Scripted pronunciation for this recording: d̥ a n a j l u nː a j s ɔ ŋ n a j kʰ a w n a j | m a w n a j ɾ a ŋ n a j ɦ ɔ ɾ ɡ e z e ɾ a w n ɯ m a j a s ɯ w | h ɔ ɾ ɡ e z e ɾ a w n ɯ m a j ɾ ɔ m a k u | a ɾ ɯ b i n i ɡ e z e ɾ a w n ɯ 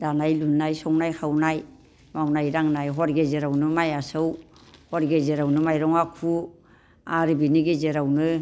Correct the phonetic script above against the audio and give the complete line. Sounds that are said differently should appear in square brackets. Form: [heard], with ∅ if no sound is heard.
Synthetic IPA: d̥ a n a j l u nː a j s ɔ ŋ n a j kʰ a w n a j | m a w n a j ɾ a ŋ n a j ɦ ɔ ɾ ɡ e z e ɾ a w n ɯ m a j a s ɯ w | h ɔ ɾ ɡ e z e ɾ a w n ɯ m a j ɾ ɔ [ŋ] a [kʰ] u | a ɾ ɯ b i n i ɡ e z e ɾ a w n ɯ